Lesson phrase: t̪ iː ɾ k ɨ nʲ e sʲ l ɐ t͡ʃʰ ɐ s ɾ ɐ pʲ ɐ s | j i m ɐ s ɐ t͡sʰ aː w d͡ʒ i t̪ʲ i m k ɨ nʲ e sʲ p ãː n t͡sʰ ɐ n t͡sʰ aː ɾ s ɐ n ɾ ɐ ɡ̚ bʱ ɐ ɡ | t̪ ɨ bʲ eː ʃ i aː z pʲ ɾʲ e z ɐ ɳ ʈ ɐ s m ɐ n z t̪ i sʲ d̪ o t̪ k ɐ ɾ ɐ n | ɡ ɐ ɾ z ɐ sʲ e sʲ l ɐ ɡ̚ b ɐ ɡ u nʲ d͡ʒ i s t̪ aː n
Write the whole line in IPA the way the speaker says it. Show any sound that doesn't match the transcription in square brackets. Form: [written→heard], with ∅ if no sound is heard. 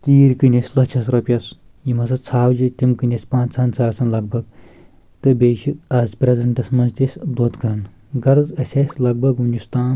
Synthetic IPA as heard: t̪ iː ɾ k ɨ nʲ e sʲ l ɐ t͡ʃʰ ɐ s ɾ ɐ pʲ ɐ s | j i m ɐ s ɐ t͡sʰ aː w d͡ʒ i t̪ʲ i m k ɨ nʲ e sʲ p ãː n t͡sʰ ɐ n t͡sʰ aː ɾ s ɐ n [ɾ→l] ɐ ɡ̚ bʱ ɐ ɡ | t̪ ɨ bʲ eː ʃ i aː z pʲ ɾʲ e z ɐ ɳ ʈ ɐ s m ɐ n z t̪ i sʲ d̪ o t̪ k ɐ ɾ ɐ n | ɡ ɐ ɾ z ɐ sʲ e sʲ l ɐ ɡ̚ b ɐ ɡ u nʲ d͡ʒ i s t̪ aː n